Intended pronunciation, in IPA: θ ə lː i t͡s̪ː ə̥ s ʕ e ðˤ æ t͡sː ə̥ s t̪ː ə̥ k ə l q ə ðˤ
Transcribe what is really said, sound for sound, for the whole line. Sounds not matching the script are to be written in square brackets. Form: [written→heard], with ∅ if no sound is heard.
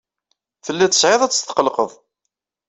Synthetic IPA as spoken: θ ə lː [i→æ] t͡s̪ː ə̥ s ʕ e ðˤ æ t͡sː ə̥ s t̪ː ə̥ [k→q] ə l q ə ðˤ